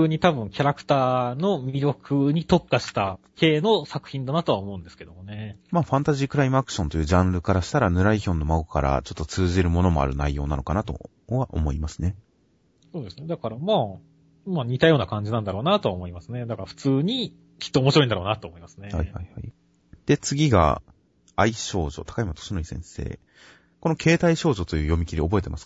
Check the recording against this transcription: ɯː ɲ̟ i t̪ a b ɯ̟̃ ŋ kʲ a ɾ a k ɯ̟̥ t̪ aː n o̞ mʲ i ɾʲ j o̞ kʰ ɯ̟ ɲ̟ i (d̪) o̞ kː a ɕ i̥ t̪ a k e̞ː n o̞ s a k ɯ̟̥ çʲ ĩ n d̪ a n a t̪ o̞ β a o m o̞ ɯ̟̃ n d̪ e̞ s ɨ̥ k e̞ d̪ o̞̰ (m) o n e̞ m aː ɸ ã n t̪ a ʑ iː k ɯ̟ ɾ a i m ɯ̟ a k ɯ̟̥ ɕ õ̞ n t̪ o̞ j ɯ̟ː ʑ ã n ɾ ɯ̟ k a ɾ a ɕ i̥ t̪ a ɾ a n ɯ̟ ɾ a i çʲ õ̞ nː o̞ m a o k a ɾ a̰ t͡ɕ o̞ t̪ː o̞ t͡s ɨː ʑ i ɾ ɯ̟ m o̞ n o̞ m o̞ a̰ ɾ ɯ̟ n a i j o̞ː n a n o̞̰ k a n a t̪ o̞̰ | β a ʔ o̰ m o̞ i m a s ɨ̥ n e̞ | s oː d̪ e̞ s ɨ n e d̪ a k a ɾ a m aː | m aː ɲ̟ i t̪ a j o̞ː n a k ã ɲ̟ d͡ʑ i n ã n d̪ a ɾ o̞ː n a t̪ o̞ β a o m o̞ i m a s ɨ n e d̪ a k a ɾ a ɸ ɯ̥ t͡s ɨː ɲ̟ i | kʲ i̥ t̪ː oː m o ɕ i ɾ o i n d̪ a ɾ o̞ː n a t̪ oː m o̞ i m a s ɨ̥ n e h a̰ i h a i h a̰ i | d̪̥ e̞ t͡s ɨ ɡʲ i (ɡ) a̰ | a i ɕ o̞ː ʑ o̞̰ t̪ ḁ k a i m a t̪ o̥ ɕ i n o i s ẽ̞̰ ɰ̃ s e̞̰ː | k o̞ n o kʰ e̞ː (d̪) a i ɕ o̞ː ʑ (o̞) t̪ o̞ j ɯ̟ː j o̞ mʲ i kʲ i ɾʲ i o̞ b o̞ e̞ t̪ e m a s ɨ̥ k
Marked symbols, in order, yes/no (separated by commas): no, yes, yes, no, yes